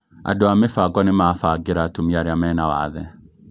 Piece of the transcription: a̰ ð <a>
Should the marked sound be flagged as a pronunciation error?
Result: yes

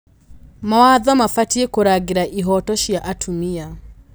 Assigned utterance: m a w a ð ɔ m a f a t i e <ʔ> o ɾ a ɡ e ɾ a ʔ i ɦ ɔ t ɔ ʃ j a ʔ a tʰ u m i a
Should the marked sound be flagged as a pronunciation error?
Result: yes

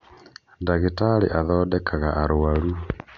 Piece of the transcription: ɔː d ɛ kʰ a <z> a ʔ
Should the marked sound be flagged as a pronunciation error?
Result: yes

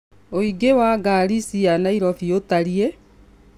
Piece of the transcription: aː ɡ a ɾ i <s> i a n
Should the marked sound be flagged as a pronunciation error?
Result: no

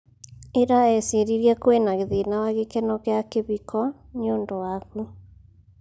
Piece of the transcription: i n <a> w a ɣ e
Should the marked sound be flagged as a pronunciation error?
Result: no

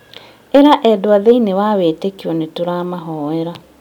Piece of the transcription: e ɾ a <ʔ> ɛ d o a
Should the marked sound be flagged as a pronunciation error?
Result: no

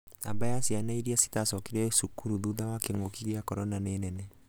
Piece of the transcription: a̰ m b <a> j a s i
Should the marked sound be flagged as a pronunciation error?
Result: no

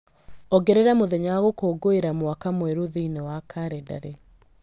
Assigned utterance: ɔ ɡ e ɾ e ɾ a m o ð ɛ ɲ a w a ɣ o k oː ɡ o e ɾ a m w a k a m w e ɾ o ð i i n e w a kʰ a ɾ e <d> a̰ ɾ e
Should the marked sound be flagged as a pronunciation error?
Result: no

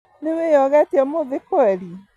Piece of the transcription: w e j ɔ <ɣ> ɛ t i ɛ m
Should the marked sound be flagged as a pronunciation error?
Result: no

